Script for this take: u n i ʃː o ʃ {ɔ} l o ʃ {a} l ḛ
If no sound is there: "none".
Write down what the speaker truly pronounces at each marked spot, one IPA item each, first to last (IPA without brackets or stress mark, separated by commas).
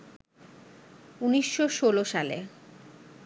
o, a